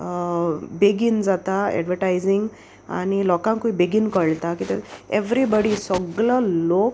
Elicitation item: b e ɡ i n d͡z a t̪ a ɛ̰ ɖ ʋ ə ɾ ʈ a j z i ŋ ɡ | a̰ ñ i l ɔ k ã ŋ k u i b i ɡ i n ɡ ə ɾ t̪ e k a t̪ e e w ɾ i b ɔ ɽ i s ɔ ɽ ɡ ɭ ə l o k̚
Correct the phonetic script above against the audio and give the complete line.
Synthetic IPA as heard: b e ɡ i n d͡z a t̪ a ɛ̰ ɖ ʋ ə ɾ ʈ a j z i ŋ ɡ | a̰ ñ i l ɔ k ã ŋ k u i b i ɡ i n k ə ɭ t̪ a k i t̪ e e ʋ ɾ i b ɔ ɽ i s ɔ ɡ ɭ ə l o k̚